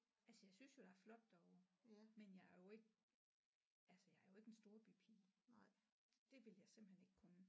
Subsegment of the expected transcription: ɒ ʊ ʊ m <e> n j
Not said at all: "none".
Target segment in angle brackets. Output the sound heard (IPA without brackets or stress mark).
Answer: e